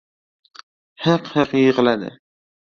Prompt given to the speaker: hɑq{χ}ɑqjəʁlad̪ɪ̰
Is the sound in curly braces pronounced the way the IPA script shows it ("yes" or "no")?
no